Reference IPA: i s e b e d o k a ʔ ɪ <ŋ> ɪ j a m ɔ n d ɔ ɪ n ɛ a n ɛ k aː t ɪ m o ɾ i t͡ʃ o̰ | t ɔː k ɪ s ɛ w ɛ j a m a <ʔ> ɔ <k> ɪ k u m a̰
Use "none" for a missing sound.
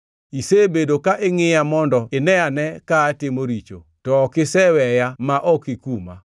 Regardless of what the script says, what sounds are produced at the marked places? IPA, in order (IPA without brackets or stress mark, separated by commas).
ŋ, ʔ, k